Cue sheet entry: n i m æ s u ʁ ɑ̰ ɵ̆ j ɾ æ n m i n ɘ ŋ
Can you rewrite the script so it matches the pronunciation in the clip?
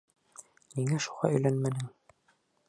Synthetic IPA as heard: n i ŋ æ ʃ u ʁ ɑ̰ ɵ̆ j l æ n m æ n ɘ ŋ